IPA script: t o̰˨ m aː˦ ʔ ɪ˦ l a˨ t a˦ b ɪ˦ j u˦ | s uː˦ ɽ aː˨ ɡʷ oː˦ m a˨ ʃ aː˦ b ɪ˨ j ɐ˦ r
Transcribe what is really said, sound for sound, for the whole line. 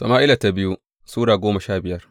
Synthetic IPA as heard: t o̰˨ m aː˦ ʔ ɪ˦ l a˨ t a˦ b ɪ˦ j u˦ | s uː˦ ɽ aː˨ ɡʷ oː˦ m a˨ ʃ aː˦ b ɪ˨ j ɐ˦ r